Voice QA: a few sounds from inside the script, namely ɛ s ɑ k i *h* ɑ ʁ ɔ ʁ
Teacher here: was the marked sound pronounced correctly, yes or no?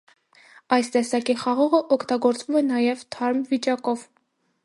no